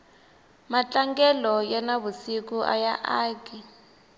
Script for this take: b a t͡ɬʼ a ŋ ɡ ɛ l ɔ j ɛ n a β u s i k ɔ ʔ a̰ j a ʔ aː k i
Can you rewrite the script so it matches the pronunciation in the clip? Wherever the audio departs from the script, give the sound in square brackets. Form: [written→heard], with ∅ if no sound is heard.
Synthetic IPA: [b→m] a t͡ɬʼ a ŋ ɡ ɛ l ɔ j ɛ n a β u s i k [ɔ→u] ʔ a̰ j a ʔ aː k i